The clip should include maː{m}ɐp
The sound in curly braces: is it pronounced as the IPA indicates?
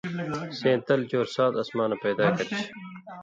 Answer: no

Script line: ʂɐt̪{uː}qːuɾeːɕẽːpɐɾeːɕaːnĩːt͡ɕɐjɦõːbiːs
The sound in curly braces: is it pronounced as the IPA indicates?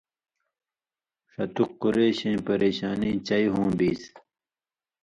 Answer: no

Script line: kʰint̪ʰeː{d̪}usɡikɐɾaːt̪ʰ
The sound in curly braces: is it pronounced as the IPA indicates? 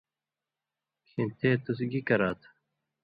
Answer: no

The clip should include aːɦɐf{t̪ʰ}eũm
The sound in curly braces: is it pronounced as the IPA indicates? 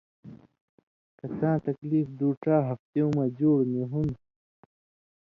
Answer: no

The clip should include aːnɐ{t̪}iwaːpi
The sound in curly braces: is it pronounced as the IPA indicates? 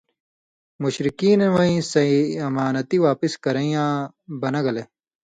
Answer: yes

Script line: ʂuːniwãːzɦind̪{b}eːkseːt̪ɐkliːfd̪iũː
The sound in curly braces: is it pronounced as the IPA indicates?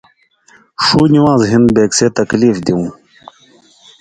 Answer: yes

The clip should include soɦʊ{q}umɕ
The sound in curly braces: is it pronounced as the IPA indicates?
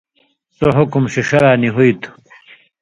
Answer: no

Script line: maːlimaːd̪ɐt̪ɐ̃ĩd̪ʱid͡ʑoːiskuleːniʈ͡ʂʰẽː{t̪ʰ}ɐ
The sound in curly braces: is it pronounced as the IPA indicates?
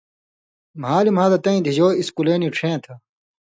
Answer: yes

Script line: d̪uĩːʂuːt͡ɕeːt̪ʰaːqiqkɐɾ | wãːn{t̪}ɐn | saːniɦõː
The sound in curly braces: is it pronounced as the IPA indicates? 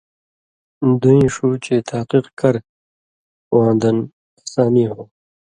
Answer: no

